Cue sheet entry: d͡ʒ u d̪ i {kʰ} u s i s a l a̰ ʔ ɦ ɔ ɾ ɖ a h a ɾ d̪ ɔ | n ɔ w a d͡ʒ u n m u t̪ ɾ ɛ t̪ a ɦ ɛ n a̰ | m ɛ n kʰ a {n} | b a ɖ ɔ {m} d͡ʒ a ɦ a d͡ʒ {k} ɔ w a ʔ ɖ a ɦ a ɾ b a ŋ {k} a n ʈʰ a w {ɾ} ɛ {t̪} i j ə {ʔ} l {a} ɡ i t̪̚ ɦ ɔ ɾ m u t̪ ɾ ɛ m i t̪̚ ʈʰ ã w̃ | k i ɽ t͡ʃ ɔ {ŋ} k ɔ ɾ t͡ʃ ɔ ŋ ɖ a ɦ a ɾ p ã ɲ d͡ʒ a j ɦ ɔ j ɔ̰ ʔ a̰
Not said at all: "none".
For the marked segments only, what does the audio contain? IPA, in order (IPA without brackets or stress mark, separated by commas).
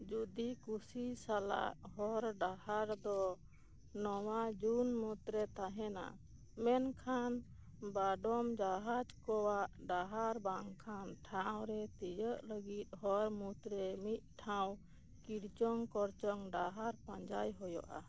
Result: k, n, m, k, kʰ, ɾ, t̪, ʔ, ə, ŋ